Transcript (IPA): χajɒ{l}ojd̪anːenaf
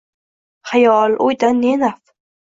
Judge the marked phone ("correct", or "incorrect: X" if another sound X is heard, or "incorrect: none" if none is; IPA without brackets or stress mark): correct